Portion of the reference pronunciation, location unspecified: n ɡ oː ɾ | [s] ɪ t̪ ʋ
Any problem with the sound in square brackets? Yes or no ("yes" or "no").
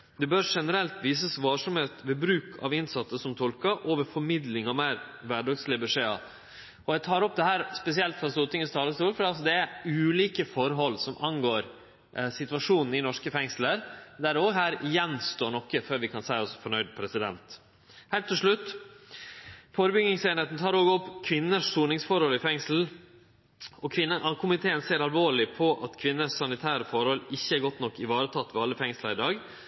no